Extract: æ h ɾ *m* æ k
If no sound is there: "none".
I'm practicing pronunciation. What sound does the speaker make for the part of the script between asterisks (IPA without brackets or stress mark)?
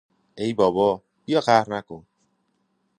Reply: n